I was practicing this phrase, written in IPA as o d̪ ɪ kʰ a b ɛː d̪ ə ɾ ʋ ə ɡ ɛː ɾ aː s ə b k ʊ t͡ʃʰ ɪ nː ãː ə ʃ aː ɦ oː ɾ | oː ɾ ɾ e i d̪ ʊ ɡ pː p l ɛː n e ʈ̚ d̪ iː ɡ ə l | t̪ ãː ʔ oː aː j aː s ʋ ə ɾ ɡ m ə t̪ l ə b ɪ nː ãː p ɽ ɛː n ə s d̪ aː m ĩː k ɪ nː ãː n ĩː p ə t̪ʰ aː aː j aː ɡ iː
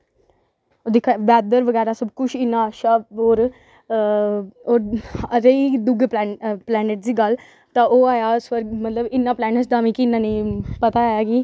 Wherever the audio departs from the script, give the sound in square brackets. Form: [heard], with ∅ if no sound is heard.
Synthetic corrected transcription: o d̪ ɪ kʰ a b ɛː d̪ ə ɾ ʋ ə ɡ ɛː ɾ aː s ə b k ʊ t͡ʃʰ ɪ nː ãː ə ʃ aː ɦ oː ɾ | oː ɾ ɾ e i d̪ ʊ ɡ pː p l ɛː n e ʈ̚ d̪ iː ɡ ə l | t̪ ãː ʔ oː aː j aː s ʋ ə ɾ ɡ m ə t̪ l ə b ɪ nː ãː p [l] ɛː n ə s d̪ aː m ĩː k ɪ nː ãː n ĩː p ə [t̪] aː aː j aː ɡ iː

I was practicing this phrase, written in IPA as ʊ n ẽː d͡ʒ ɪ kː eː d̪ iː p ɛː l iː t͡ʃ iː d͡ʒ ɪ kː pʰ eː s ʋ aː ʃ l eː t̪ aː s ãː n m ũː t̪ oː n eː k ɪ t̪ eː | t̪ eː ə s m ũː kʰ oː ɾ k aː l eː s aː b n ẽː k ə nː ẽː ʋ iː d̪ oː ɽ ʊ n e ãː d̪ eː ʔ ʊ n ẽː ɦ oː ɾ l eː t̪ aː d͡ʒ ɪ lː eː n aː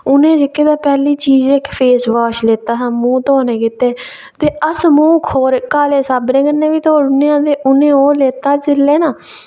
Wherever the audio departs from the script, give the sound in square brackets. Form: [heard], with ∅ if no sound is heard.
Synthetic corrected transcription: ʊ n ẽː d͡ʒ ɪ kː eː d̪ [aː] p ɛː l iː t͡ʃ iː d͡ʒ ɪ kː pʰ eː s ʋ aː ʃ l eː t̪ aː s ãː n m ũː t̪ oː n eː k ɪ t̪ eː | t̪ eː ə s m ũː kʰ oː ɾ k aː l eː s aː b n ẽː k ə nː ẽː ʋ iː [t̪] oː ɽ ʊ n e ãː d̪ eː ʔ ʊ n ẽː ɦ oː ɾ l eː t̪ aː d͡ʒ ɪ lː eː n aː

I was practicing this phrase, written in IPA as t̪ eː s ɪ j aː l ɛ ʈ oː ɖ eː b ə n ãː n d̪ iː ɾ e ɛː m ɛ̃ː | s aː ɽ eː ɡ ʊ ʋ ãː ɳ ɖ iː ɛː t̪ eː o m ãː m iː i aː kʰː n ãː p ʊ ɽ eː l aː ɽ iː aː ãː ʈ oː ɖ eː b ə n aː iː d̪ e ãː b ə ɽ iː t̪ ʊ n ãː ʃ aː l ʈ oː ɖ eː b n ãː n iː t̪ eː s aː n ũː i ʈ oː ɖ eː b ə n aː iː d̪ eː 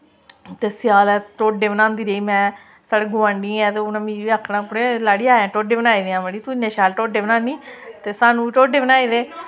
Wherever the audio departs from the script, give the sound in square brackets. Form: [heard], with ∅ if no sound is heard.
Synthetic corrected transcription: t̪ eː s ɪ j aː l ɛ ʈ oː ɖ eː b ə n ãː n d̪ iː ɾ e [iː] m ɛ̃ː | s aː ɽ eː ɡ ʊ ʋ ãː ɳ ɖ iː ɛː t̪ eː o [n] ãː m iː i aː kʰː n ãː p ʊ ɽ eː l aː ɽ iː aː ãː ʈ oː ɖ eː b ə n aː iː d̪ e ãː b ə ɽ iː t̪ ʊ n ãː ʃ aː l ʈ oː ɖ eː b n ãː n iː t̪ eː s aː n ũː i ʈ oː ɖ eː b ə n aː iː d̪ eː

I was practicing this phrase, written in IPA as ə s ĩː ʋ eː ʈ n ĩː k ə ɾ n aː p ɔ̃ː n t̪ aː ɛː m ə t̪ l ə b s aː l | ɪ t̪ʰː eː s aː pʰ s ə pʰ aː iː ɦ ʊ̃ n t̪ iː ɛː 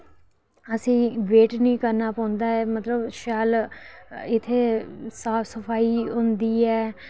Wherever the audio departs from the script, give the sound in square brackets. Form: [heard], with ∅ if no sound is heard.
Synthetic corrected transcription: ə s ĩː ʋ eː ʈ n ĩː k ə ɾ n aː p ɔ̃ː n [d̪] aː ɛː m ə t̪ l ə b [ʃ] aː l | ɪ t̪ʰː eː s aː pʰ s ə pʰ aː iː ɦ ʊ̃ n [d̪] iː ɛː

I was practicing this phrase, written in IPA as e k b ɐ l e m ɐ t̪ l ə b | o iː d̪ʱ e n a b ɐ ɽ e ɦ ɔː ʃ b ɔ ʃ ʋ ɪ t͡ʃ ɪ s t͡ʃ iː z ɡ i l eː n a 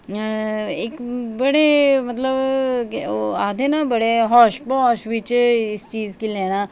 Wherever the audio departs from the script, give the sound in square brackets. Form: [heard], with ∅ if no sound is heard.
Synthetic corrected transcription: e k b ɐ [ɽ] e m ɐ t̪ l ə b | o [aː] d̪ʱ e n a b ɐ ɽ e ɦ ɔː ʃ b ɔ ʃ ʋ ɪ t͡ʃ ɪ s t͡ʃ iː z [k] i l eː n a

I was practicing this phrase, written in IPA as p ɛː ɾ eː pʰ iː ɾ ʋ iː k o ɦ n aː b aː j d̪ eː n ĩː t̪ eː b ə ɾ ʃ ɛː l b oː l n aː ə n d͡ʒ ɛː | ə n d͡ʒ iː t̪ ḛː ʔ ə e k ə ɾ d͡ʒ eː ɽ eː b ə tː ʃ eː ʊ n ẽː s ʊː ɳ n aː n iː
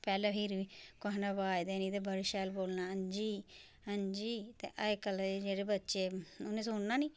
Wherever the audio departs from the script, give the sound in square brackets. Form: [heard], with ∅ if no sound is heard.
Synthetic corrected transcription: p ɛː [l] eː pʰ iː ɾ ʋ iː k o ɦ n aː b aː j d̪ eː n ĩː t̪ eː b ə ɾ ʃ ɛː l b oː l n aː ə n d͡ʒ [iː] | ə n d͡ʒ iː t̪ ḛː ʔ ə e k ə [l] d͡ʒ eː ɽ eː b ə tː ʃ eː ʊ n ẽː s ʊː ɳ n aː n iː

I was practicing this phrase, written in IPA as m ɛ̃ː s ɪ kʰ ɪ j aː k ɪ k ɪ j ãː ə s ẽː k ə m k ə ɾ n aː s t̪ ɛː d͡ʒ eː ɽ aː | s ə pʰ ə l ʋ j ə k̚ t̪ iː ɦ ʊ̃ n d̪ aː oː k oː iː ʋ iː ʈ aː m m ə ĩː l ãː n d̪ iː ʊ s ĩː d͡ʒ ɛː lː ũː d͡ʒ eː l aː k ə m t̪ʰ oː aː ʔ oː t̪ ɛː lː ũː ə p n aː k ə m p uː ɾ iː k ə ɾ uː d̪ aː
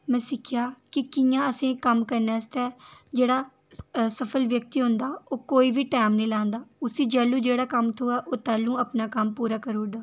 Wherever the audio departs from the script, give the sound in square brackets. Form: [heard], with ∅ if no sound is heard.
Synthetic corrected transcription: m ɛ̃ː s ɪ kʰ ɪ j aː k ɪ k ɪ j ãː ə s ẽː k ə m k ə ɾ n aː s t̪ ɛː d͡ʒ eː ɽ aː | s ə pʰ ə l ʋ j ə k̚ t̪ iː ɦ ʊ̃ n d̪ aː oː k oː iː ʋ iː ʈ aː m [n] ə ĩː l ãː n d̪ [aː] ʊ s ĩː d͡ʒ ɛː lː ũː d͡ʒ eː [ɽ] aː k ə m t̪ʰ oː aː ʔ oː t̪ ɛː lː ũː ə p n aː k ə m p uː ɾ [aː] k ə ɾ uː d̪ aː

